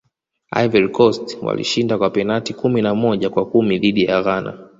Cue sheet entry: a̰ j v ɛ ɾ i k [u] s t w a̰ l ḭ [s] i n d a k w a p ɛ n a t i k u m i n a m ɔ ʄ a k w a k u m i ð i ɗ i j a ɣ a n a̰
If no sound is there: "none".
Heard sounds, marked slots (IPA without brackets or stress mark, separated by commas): ɔ, ʃ